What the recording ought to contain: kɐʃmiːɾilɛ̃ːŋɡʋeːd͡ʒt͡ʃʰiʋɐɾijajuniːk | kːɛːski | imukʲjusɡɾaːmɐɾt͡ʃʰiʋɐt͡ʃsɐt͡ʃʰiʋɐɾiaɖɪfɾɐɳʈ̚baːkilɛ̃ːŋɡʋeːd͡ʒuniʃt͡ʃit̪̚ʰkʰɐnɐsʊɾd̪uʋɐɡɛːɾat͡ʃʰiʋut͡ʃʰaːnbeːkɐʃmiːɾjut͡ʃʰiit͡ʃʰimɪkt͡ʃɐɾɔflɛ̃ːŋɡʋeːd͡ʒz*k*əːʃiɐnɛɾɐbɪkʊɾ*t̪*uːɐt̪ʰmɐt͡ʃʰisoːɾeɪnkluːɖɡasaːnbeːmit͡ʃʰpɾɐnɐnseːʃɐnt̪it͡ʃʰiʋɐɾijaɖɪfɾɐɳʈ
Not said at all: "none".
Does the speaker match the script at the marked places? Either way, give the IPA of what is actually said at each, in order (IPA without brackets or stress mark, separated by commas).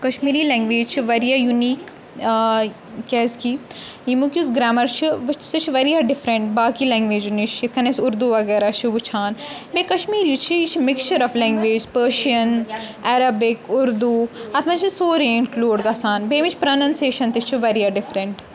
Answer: p, d̪